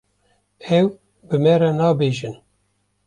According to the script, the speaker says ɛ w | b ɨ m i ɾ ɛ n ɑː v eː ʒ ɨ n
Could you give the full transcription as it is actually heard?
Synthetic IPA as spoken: ɛ w | b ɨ m ɛ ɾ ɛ n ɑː b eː ʒ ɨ n